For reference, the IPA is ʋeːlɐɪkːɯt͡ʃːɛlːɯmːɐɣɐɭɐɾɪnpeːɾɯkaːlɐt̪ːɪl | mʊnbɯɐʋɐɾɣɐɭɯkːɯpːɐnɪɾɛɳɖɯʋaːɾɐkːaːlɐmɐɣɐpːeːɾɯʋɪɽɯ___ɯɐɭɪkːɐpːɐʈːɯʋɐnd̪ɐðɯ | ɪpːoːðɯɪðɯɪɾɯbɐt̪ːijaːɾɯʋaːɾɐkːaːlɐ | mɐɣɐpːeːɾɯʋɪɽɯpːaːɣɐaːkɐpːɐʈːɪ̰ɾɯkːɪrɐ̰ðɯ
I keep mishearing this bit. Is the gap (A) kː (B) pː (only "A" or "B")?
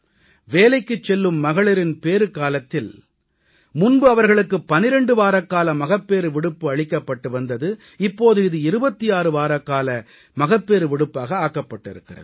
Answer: B